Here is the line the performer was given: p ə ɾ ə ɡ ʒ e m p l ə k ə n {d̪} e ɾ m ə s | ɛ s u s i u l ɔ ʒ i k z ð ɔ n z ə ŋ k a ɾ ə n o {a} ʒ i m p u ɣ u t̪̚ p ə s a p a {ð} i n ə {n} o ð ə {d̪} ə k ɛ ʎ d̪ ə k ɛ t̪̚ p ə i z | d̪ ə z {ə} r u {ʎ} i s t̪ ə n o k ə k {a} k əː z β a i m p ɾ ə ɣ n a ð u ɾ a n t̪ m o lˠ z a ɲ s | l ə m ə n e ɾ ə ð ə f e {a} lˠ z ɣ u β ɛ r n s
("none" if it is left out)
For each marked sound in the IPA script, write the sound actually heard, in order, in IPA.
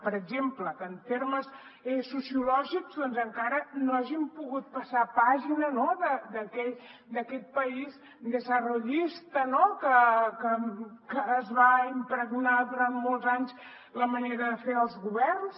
t̪, a, ʒ, n, d̪, ə, ʎ, ə, ə

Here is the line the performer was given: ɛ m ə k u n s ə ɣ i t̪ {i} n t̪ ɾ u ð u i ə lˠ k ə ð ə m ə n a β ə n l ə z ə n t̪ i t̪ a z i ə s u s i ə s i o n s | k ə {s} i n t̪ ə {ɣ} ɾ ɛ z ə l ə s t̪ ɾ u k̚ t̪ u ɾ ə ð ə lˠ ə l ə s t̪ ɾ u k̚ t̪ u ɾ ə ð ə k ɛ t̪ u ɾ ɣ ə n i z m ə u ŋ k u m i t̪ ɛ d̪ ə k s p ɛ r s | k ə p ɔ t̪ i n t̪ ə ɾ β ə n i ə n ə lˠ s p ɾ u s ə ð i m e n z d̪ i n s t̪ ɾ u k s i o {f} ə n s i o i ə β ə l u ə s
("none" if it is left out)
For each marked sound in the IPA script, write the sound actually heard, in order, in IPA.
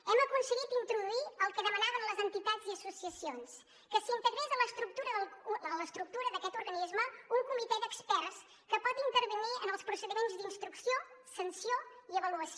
i, s, ɣ, s

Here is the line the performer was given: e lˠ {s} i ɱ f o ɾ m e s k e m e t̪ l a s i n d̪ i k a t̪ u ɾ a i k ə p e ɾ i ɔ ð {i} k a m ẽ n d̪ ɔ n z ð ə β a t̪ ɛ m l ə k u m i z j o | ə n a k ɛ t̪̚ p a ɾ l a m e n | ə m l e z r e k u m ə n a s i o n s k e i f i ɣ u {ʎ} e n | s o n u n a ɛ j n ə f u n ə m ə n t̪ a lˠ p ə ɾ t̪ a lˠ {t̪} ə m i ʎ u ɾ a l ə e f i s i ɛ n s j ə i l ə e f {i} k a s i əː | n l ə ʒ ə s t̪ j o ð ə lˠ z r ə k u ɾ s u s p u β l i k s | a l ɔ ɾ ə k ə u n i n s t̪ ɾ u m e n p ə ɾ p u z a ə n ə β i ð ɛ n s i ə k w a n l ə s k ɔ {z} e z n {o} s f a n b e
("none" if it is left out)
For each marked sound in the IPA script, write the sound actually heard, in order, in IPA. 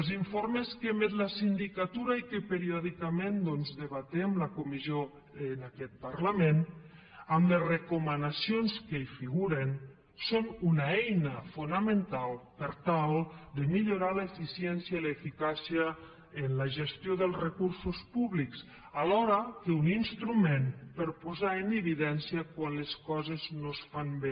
z, i, ɾ, d̪, i, z, o

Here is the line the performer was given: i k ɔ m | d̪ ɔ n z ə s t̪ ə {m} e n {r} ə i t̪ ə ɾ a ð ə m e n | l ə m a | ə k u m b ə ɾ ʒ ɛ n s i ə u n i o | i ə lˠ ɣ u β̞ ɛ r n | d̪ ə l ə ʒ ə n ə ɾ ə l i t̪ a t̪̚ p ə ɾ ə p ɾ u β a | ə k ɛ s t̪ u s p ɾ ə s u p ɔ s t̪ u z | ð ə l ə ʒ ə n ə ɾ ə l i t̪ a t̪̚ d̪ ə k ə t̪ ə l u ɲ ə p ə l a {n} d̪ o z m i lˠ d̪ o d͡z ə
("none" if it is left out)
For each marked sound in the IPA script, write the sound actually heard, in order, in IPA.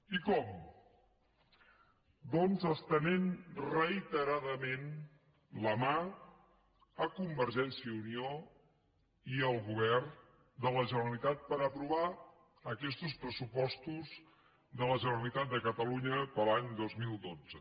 n, r, ɲ

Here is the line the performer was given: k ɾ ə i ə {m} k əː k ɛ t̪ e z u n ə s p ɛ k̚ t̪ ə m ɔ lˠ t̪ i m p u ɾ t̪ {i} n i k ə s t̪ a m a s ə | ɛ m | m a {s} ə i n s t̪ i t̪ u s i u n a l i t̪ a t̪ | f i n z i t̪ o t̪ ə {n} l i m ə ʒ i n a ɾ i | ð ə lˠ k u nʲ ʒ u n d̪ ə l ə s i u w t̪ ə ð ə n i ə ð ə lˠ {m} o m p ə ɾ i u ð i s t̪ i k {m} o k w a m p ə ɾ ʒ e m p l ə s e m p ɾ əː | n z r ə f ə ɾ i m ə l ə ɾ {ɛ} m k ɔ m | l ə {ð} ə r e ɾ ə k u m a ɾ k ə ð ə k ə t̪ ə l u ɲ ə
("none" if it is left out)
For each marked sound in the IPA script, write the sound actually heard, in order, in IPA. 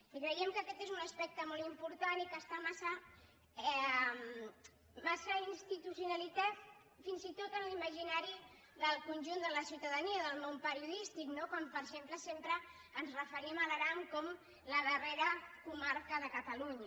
m, a, s, n, m, n, a, ð

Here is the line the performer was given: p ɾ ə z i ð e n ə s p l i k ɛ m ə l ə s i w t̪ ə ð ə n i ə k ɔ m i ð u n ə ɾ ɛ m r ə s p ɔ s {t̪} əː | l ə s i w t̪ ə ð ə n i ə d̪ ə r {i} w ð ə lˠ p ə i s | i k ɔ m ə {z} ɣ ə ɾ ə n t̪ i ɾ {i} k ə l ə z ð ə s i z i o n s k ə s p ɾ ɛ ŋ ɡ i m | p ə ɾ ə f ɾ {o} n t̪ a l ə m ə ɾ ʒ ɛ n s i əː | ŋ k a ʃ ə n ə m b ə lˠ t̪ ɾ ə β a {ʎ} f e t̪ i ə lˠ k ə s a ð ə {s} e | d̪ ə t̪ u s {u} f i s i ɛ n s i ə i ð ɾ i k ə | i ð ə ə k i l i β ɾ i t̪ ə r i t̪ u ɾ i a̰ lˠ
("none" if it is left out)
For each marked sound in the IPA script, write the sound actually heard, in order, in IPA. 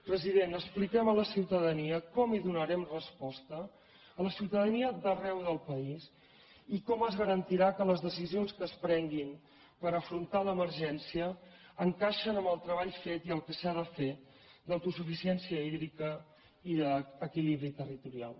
t̪, ɛ, z, a, u, ʎ, f, u

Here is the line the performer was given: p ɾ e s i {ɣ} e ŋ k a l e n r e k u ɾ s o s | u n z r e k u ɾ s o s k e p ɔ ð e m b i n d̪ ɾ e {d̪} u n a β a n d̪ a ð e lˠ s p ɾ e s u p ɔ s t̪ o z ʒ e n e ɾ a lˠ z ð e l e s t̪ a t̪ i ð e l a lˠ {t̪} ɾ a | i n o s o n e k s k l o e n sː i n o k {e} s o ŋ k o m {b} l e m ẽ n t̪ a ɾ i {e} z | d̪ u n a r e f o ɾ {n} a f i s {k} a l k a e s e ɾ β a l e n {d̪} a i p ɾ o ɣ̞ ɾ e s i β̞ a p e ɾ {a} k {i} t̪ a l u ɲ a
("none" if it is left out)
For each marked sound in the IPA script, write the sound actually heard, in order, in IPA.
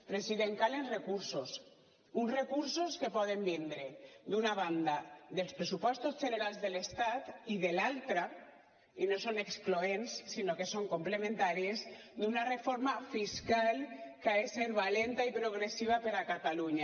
ð, d̪, t̪, e, p, e, m, k, t̪, a, a

